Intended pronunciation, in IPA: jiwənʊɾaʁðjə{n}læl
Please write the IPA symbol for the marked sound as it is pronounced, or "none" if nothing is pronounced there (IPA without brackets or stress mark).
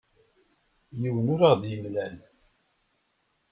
m